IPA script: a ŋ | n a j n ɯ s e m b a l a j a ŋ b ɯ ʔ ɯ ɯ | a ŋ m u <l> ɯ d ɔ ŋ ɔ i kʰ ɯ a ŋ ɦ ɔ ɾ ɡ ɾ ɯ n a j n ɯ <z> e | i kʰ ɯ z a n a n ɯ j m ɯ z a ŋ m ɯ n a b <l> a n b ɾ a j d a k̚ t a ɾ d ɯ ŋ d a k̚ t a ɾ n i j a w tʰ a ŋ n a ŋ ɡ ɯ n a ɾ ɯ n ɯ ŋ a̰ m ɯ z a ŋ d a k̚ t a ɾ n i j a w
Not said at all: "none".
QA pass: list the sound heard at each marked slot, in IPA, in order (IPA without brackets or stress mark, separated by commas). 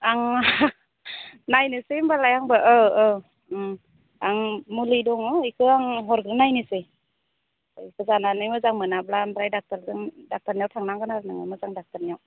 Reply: l, s, l